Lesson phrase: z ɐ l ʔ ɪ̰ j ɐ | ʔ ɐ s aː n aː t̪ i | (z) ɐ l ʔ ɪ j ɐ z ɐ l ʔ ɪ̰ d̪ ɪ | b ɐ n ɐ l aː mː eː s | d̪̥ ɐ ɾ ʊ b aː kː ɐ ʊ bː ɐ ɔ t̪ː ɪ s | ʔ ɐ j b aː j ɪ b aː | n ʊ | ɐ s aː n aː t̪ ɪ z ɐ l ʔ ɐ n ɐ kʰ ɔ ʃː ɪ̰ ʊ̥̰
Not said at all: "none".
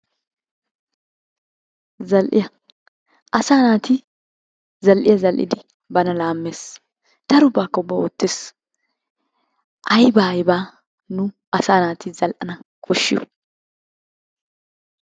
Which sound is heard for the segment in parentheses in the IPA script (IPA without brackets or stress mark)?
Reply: z